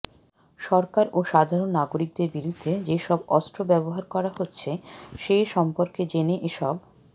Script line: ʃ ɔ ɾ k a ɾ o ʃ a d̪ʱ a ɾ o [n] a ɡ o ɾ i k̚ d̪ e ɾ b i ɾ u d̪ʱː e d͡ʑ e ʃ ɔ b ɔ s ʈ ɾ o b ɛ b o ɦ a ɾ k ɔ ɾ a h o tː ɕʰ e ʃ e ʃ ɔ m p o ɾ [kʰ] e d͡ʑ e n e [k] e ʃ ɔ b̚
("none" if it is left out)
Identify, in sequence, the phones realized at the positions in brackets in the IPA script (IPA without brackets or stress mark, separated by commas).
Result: nː, k, ʔ